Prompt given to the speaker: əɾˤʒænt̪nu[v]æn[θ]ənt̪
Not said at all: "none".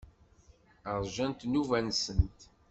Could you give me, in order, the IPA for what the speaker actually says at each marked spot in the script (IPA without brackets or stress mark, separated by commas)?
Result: v, s